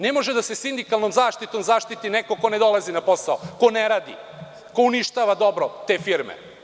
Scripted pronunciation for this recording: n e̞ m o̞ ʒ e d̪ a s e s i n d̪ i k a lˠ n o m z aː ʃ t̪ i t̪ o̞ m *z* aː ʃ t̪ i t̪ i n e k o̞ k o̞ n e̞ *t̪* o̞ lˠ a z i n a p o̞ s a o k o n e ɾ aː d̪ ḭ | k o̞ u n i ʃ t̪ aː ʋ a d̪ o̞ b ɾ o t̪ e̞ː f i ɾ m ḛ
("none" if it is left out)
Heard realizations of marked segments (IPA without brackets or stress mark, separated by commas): z, d̪